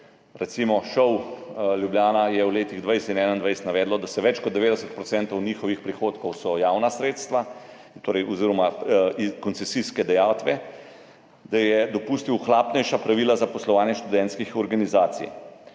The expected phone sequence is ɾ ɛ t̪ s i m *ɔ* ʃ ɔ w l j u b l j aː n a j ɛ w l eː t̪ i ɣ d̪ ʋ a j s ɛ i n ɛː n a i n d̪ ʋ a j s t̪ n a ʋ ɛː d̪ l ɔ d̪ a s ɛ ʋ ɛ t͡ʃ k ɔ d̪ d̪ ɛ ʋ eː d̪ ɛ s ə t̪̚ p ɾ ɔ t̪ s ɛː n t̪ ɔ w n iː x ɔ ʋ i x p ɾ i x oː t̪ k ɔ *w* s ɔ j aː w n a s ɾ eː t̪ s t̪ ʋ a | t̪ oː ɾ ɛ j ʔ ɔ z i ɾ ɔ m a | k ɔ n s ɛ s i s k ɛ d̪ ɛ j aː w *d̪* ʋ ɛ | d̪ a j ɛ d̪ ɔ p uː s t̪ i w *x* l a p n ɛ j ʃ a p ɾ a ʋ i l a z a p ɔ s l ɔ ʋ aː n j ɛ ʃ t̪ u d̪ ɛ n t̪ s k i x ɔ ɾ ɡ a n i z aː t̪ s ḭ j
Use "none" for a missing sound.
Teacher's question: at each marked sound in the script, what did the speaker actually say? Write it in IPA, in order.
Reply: ɔ, w, t̪, x

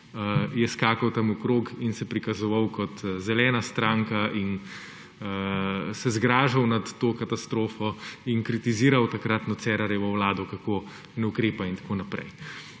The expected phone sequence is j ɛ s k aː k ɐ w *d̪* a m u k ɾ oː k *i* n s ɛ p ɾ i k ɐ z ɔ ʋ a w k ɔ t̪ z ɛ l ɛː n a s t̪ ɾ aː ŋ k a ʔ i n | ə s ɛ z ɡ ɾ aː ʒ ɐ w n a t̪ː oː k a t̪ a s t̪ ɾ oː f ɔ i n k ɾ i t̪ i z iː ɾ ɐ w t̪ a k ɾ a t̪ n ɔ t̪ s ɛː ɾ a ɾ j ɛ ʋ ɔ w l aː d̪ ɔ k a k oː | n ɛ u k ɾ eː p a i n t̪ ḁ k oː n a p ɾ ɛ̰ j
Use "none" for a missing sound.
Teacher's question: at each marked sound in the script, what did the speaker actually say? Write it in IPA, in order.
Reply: t̪, i

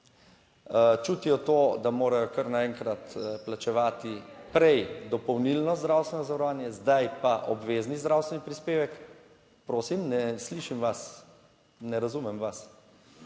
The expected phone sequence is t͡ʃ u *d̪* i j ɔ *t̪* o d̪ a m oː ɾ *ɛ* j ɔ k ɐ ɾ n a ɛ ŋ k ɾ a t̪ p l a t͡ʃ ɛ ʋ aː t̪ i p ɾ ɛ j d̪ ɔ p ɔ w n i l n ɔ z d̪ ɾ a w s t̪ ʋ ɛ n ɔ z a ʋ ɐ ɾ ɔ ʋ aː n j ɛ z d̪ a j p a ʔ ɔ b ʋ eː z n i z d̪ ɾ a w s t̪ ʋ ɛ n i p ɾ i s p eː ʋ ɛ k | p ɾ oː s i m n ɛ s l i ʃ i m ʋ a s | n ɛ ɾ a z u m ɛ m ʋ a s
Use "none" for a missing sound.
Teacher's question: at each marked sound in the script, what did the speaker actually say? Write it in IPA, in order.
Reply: t̪, t̪, a

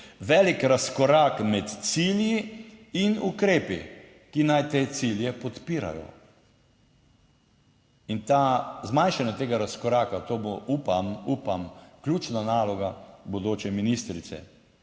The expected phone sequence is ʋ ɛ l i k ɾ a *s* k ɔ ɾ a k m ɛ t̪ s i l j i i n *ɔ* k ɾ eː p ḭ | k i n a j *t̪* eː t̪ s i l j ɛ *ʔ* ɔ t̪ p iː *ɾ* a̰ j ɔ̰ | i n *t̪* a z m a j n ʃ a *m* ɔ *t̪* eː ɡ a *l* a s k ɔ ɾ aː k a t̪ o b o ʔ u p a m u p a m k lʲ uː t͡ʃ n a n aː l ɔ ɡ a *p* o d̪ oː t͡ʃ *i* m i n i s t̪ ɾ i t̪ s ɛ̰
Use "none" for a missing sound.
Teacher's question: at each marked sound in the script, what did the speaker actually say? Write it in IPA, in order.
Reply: s, u, t̪, p, ɾ, t̪, n, t̪, ɾ, b, ɛ

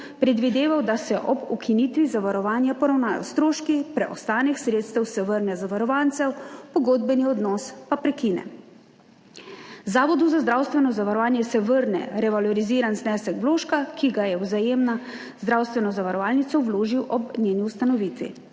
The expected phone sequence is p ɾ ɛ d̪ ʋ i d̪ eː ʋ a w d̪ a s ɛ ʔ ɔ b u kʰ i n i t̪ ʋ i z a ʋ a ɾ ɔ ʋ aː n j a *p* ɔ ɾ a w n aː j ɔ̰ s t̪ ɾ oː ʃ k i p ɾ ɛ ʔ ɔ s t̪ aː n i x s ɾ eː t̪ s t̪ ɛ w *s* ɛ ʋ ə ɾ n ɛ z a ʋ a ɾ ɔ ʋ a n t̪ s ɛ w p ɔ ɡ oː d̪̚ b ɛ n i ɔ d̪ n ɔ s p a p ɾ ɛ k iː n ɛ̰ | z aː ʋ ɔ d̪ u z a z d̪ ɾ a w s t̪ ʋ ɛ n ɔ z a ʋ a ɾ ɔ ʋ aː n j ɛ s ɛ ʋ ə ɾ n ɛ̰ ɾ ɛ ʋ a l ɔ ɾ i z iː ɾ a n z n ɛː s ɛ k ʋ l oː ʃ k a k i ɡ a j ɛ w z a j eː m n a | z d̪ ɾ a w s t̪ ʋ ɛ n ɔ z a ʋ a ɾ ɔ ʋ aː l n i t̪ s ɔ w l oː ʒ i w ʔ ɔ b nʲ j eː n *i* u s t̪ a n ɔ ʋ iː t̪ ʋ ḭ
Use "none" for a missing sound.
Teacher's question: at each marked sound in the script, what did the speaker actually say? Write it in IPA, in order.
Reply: p, s, i

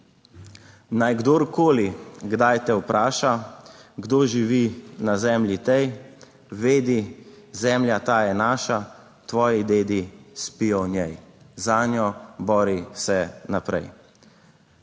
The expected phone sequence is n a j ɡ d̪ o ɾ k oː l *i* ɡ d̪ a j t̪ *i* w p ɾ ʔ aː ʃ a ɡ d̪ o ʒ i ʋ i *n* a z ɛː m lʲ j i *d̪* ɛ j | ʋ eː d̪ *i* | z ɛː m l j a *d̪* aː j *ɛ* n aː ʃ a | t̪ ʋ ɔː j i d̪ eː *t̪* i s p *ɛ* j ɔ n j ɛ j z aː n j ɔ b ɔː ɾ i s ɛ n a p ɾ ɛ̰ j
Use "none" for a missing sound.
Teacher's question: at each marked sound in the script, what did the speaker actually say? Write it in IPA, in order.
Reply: i, ɛ, n, t̪, i, t̪, ɛ, d̪, i

